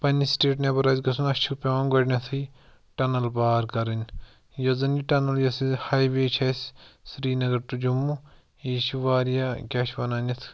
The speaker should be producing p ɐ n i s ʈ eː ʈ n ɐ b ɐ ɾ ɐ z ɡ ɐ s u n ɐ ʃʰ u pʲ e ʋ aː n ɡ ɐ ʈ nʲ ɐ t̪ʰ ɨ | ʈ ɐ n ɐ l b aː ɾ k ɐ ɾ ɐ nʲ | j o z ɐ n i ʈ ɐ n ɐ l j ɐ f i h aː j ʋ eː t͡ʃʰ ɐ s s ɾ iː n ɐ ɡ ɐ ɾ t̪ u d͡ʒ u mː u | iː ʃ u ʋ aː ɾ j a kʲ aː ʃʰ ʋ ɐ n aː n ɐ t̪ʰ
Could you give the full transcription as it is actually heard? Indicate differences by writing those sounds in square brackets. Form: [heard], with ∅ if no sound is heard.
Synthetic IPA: p ɐ n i s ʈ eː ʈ n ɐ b ɐ ɾ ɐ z ɡ ɐ s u n ɐ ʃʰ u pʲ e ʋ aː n ɡ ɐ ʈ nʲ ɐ t̪ʰ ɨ | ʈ ɐ n ɐ l b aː ɾ k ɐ ɾ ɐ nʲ | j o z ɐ n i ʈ ɐ n ɐ l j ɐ [s] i h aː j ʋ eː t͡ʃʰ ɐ s s ɾ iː n ɐ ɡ ɐ ɾ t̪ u d͡ʒ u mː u | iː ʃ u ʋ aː ɾ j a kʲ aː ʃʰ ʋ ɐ n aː n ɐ t̪ʰ